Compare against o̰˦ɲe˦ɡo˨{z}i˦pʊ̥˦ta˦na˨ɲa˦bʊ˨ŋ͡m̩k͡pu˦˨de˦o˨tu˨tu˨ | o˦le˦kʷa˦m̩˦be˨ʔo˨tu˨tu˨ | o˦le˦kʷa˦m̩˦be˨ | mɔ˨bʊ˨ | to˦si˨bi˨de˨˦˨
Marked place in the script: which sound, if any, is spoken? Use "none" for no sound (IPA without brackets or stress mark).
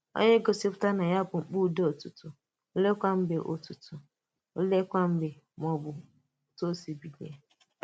s